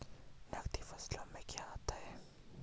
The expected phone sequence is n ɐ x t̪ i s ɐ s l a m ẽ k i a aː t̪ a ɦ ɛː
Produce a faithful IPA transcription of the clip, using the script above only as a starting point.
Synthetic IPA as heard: n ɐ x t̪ i f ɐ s l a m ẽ k j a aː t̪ a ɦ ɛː